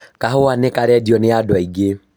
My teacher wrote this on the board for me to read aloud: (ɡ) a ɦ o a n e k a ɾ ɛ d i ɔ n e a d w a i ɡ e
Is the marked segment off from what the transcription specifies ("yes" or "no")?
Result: yes